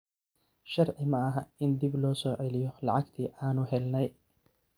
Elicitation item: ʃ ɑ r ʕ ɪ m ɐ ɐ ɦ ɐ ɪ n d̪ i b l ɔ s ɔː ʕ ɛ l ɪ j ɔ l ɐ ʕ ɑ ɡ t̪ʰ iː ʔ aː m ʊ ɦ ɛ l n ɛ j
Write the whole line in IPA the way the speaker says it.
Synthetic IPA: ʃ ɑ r ʕ ɪ m ɐ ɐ ɦ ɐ ɪ n d̪ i b l ɔː s ɔː ʕ ɛ l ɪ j ɔ l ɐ ʕ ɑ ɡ t̪ʰ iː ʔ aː n ʊ ɦ ɛ l n ɛ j